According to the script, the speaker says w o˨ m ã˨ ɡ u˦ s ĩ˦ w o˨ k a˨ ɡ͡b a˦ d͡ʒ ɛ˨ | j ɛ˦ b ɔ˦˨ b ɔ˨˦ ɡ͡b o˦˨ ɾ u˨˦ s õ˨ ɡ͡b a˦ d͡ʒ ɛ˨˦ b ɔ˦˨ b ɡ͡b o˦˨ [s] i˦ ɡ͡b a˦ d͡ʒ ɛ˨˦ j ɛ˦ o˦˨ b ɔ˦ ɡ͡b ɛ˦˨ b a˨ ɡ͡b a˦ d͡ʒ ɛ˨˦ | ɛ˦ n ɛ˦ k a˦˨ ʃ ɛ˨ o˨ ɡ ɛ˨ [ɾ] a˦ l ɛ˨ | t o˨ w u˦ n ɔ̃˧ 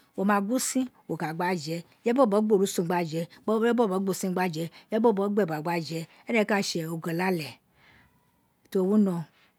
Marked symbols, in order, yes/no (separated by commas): yes, no